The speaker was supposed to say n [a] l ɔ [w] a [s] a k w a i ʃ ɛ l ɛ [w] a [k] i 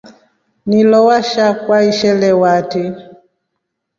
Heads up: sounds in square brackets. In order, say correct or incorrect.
incorrect, correct, incorrect, correct, incorrect

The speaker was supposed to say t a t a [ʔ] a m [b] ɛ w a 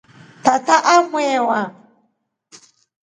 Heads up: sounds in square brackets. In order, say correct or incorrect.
correct, incorrect

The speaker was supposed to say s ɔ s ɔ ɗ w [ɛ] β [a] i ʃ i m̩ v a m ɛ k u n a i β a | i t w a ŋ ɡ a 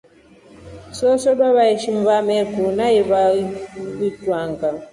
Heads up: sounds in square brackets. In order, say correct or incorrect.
incorrect, correct

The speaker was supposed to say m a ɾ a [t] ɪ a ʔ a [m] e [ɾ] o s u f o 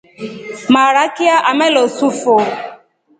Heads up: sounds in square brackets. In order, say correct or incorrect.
incorrect, correct, incorrect

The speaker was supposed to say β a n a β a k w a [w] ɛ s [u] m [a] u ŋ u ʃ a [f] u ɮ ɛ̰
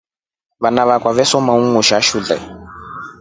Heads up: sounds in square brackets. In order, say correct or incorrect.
incorrect, incorrect, correct, incorrect

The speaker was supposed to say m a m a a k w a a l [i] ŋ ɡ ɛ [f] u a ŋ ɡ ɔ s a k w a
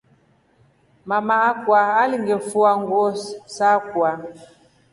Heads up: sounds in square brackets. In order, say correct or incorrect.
correct, correct

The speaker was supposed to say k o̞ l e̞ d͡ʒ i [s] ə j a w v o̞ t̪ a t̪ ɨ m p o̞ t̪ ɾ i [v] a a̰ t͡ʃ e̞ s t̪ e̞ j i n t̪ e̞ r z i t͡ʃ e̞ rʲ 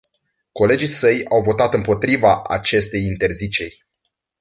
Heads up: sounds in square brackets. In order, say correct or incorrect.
correct, correct

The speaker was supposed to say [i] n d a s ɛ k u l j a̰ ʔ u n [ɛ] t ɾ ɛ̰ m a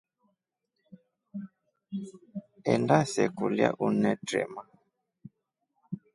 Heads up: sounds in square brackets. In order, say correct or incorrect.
incorrect, correct

